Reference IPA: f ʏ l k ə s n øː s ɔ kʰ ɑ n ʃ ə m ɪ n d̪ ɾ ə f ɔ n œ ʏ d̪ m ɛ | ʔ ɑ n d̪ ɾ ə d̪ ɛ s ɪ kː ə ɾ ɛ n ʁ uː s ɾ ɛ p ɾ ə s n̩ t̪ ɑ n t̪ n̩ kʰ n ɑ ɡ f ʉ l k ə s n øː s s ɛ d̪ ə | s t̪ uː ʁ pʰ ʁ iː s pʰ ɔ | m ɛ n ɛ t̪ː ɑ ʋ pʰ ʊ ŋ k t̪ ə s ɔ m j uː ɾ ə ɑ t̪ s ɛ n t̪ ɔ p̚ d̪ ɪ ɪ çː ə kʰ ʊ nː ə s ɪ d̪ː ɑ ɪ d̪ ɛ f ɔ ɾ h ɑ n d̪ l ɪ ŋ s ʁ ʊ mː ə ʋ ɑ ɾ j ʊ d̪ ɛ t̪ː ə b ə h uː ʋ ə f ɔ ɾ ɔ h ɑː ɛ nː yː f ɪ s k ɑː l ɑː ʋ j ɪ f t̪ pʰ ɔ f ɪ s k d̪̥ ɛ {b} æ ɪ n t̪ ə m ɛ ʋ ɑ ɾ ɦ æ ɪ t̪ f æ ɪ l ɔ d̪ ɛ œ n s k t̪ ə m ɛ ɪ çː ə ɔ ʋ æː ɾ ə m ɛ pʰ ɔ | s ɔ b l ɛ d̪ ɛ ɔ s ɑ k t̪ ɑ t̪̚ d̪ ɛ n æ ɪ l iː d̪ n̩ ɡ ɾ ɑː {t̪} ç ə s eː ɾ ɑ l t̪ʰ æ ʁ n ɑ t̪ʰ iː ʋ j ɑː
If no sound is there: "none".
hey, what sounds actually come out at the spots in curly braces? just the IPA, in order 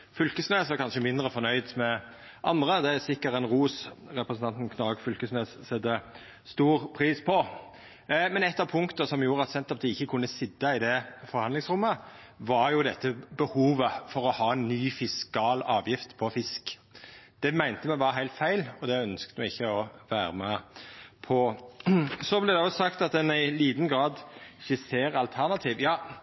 m, d̪

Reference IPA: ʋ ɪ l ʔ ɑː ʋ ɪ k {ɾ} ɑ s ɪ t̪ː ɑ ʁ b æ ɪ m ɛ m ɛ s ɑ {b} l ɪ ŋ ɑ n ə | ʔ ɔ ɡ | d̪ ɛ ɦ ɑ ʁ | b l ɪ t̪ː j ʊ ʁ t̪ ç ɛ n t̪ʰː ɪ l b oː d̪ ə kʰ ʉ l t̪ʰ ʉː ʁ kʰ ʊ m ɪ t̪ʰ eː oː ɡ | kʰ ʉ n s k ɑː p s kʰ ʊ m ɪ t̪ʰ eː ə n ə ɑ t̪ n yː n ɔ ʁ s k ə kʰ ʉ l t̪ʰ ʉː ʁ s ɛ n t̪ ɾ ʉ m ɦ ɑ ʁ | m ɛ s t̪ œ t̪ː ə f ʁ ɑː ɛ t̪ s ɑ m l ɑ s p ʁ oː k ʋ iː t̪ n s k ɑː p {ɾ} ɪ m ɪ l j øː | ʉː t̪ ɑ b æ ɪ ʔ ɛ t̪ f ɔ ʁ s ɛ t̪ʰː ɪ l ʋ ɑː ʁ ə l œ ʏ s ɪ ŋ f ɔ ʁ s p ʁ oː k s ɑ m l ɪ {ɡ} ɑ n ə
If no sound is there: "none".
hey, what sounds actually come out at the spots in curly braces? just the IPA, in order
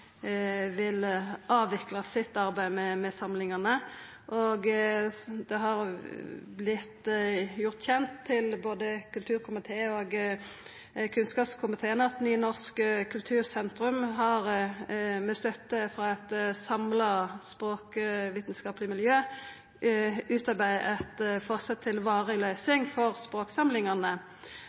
l, m, l, ŋ

